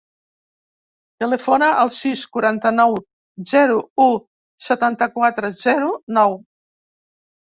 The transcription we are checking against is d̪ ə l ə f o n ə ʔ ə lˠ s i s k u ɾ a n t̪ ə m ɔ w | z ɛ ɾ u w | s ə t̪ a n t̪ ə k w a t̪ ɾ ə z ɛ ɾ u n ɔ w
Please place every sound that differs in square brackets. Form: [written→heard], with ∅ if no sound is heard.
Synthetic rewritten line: [d̪→t̪] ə l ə f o n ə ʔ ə lˠ s i s k u ɾ a n t̪ ə [m→n] ɔ w | z ɛ ɾ u [w→u] | s ə t̪ a n t̪ ə k w a t̪ ɾ ə z ɛ ɾ u n ɔ w